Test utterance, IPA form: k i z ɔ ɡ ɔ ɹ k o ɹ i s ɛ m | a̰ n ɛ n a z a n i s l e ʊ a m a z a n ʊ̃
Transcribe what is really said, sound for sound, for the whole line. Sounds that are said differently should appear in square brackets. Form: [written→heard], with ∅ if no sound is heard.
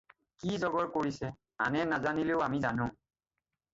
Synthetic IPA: k i z ɔ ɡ ɔ ɹ k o ɹ i s ɛ [m→∅] | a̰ n ɛ n a z a n i [s→∅] l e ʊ a m [a→i] z a n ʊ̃